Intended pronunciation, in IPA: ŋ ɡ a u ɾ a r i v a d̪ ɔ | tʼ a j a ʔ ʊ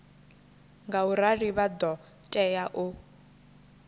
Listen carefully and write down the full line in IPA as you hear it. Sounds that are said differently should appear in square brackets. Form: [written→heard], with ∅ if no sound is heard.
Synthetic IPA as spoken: ŋ ɡ a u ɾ a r i [v→β] a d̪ ɔ | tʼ [a→ɛ] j a ʔ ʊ